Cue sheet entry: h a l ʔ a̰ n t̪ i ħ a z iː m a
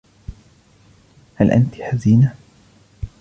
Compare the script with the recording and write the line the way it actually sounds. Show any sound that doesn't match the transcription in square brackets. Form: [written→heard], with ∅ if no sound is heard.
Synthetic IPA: h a l ʔ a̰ n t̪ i ħ a z iː [m→n] a